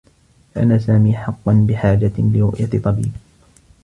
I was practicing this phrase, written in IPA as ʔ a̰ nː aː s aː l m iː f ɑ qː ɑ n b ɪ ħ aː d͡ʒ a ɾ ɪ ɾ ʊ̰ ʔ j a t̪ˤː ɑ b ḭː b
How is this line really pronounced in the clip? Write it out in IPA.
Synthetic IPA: ʔ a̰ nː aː s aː m iː ħ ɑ qː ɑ n b ɪ ħ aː d͡ʒ a l ɪ ɾ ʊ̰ ʔ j a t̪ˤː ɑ b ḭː b